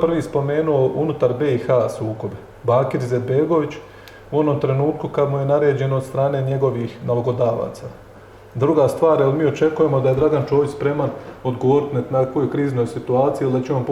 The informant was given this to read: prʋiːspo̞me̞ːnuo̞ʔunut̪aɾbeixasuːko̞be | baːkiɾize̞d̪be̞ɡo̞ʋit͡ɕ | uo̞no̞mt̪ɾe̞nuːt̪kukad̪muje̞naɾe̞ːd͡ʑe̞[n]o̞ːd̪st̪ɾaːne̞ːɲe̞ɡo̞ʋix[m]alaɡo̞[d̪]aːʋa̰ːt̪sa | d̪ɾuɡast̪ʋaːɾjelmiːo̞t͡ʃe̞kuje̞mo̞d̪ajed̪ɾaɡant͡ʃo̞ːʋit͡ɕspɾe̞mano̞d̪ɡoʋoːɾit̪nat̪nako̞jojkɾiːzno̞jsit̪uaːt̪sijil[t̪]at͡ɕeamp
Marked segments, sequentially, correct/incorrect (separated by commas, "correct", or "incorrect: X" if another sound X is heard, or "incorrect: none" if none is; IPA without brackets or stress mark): correct, incorrect: n, correct, incorrect: d̪